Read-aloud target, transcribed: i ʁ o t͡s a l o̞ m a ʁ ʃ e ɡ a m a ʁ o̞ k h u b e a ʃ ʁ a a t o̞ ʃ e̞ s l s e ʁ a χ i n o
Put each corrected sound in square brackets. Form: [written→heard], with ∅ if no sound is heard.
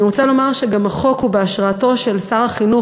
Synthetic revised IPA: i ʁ o t͡s a l o̞ m a ʁ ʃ e ɡ a m a [ʁ→χ] o̞ k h u b e a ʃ ʁ a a t o̞ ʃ e̞ [s→∅] l s [e→a] ʁ a χ i n [o→u]